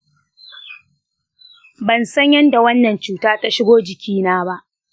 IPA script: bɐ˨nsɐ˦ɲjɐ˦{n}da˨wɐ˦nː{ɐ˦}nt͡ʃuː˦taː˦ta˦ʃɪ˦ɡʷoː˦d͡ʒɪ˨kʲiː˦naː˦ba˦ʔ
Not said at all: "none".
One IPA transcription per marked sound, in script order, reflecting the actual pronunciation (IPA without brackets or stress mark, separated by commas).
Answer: n, ɐ˨